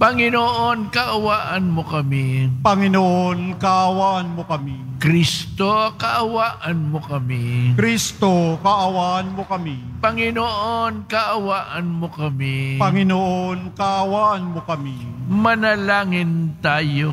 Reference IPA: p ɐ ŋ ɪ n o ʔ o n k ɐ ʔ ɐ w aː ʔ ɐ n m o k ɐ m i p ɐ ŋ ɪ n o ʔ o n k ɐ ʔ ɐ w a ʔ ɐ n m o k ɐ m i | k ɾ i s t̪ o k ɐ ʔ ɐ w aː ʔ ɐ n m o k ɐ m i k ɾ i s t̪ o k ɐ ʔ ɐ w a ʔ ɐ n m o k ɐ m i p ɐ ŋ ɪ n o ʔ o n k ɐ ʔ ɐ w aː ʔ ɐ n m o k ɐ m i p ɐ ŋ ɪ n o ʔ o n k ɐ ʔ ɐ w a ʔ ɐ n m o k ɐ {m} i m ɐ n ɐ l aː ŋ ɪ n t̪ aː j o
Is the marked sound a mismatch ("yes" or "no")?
no